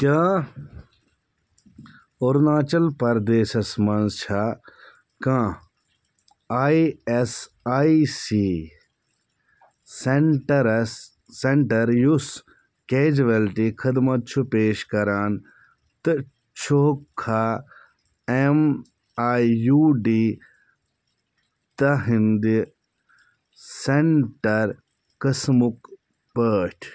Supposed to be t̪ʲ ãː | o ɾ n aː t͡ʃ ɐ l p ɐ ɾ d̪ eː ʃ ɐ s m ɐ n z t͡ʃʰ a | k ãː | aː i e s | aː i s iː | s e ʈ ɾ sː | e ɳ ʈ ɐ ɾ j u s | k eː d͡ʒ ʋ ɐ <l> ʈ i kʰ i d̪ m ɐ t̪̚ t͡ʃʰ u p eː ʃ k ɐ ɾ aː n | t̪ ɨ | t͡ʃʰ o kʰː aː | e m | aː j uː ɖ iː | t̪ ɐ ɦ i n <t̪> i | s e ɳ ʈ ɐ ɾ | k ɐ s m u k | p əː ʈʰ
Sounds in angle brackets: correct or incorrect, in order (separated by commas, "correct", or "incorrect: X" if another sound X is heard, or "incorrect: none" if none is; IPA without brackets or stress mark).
correct, incorrect: d̪